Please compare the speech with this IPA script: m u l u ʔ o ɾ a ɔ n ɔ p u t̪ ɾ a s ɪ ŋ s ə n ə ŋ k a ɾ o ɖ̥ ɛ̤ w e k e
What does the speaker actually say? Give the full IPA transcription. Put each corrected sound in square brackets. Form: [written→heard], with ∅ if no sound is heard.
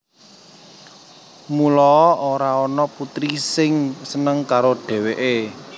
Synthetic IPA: m u l [u→ɔ] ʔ o ɾ a ɔ n ɔ p u t̪ ɾ [a→i] s ɪ ŋ s ə n ə ŋ k a ɾ o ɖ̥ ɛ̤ w e [k→ʔ] e